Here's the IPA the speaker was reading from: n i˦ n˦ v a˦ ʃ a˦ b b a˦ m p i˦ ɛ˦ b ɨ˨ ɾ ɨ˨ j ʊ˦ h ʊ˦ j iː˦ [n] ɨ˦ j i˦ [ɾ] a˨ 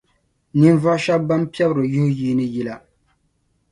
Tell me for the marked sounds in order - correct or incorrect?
correct, incorrect

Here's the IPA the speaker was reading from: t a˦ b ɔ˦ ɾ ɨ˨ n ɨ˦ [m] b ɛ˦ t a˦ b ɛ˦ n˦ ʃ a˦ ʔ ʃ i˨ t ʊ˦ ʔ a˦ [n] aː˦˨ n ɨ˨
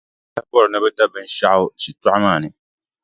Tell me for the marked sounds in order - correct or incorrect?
incorrect, incorrect

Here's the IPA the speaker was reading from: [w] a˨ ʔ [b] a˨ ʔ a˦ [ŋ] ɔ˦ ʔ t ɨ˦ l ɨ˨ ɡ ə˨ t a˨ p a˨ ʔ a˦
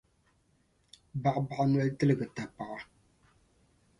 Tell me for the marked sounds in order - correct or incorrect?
incorrect, correct, incorrect

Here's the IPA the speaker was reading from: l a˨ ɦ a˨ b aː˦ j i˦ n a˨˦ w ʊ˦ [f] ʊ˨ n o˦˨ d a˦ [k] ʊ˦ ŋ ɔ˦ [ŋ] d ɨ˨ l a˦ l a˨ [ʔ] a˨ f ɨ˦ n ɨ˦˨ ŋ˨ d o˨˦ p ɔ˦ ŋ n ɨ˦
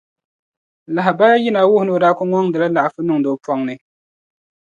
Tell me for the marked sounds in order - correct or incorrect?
incorrect, correct, correct, correct

